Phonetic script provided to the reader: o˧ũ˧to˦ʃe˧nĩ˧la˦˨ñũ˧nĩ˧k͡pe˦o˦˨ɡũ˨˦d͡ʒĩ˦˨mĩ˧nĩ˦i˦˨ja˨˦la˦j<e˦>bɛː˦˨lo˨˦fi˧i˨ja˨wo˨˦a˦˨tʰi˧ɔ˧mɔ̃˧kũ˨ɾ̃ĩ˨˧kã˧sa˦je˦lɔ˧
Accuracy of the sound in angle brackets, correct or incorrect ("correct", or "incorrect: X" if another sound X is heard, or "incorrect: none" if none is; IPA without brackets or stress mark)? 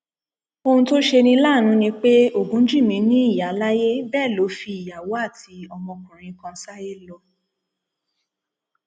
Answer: correct